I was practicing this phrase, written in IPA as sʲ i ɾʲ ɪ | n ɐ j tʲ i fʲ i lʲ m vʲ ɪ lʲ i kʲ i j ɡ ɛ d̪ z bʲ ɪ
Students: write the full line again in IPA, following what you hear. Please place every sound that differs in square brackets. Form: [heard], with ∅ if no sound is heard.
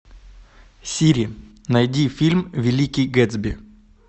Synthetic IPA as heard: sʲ i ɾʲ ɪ | n ɐ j [dʲ] i fʲ i lʲ m vʲ ɪ lʲ i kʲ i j ɡ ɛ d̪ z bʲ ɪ